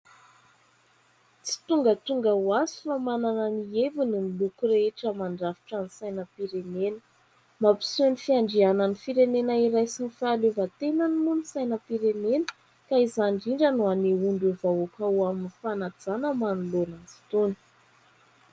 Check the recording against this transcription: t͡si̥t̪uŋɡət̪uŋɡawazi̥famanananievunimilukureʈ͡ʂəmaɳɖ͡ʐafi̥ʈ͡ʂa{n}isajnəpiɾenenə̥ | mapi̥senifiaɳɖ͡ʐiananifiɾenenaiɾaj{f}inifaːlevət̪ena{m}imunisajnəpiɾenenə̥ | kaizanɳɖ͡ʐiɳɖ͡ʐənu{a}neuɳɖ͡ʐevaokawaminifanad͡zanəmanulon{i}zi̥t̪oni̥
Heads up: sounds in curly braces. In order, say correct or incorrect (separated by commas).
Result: correct, incorrect, incorrect, correct, incorrect